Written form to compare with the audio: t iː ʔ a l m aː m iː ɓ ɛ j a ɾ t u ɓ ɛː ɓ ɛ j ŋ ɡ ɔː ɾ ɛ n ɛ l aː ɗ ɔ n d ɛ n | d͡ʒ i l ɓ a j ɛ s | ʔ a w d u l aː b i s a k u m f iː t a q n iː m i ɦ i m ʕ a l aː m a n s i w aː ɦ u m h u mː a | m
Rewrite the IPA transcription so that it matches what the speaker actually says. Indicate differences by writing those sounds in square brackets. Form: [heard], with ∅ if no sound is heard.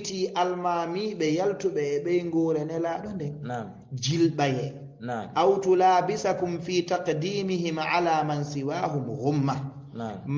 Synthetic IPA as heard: t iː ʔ a l m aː m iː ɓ ɛ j a [l] t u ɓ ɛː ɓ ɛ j ŋ ɡ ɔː ɾ ɛ n ɛ l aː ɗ ɔ n d ɛ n | d͡ʒ i l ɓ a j ɛ [∅] | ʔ a w [t] u l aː b i s a k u m f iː t a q [d] iː m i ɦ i m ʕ a l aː m a n s i w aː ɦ u m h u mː a | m